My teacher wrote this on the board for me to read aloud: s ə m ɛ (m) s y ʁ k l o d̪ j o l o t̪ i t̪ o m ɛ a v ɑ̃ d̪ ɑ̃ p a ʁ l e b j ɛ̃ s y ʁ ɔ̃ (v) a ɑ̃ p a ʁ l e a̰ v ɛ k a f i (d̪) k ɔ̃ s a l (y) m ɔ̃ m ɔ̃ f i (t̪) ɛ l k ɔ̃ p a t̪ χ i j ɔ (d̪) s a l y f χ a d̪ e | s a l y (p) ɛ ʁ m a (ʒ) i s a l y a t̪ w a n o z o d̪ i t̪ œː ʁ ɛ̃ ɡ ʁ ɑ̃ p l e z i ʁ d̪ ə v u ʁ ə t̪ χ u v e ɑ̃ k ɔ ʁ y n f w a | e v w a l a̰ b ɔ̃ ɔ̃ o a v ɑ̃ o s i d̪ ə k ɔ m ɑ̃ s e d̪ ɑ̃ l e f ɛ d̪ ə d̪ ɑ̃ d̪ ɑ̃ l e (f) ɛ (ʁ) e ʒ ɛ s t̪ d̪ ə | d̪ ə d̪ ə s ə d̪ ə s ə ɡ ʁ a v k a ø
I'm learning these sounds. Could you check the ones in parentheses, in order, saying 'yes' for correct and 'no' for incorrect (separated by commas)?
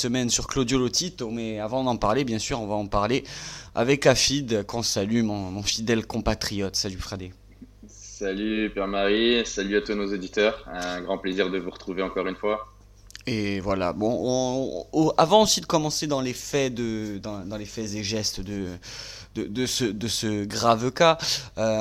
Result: no, yes, yes, yes, no, no, yes, no, yes, no